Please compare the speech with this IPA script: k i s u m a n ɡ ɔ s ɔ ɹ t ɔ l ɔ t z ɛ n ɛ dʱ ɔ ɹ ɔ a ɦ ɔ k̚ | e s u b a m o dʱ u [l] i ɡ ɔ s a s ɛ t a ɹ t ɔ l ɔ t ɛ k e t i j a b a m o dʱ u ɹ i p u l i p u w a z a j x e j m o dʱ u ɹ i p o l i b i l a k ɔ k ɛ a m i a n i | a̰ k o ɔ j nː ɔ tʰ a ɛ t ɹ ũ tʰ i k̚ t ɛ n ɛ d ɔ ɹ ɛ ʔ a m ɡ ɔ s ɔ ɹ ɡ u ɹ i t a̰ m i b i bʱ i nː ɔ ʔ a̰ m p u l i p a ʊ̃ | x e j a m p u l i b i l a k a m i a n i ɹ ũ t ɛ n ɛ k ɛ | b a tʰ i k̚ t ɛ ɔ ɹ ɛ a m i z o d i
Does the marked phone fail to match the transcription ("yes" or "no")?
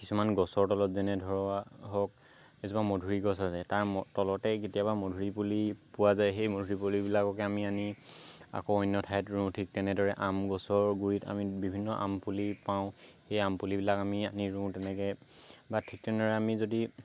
yes